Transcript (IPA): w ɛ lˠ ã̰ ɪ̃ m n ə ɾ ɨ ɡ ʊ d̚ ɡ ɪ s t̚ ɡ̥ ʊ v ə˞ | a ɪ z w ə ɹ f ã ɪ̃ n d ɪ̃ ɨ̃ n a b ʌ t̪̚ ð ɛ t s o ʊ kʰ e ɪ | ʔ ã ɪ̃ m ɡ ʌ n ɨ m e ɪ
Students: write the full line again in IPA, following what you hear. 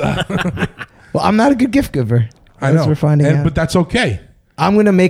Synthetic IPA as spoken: w ɛ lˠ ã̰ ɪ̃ m n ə ɾ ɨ ɡ ʊ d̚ ɡ ɪ f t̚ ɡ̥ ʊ v ə˞ | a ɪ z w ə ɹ f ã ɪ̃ n d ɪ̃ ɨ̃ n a b ʌ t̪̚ ð æ t s o ʊ kʰ e ɪ | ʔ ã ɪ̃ m ɡ ʌ n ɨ m e ɪ